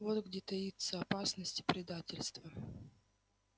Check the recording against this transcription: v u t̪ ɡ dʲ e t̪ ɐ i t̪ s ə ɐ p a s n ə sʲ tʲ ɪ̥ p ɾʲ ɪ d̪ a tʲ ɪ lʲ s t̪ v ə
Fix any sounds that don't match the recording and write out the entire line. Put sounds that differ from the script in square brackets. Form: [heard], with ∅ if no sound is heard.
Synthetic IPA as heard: v [o] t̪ ɡ dʲ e t̪ ɐ i t̪ s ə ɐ p a s n ə sʲ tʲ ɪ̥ p ɾʲ ɪ d̪ a tʲ ɪ lʲ s t̪ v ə